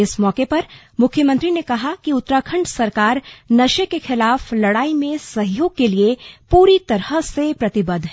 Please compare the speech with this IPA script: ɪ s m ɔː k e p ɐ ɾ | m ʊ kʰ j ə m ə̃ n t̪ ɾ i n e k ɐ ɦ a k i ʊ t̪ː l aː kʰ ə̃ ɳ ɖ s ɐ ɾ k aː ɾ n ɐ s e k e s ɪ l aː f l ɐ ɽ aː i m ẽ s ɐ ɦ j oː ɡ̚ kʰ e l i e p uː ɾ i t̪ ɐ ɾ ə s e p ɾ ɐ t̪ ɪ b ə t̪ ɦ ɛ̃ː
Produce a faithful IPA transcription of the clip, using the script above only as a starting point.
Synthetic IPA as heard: ɪ s m ɔː k e p ɐ ɾ | m ʊ kʰ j ə m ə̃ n t̪ ɾ i n e k ɐ ɦ a k i ʊ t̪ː ɾ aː kʰ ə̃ ɳ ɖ s ɐ ɾ k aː ɾ n ɐ ʃ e k e x ɪ l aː f l ɐ ɽ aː i m ẽ s ɐ ɦ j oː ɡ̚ k e l i e p uː ɾ i t̪ ɐ ɾ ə s e p ɾ ɐ t̪ ɪ b ə d̪ ɦ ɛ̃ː